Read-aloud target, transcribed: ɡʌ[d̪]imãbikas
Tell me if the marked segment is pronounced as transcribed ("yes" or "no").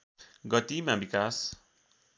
no